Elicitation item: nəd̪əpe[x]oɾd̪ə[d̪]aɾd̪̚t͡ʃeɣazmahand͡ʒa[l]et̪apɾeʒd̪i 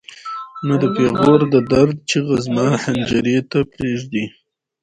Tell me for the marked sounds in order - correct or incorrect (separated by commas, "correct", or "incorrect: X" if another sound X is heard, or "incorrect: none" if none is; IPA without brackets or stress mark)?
incorrect: ɣ, correct, incorrect: ɾ